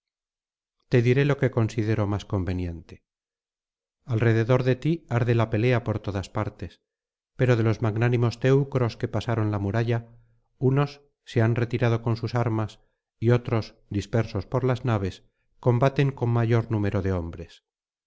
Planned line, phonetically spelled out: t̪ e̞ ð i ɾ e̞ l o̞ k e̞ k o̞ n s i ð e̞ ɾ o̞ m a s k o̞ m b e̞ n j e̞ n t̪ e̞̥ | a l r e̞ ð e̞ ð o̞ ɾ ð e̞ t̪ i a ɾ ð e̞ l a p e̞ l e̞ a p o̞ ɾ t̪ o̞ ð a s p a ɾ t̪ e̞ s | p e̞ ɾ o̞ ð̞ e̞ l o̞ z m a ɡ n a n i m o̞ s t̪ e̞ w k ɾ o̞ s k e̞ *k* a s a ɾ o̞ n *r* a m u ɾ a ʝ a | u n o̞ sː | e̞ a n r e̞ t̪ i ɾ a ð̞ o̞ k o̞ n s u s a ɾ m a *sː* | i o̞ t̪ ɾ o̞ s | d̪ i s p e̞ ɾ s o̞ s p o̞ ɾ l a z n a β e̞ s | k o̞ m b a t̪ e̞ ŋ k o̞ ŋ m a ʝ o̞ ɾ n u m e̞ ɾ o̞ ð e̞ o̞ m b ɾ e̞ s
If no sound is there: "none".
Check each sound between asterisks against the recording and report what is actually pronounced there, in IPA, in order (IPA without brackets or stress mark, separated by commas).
p, l, s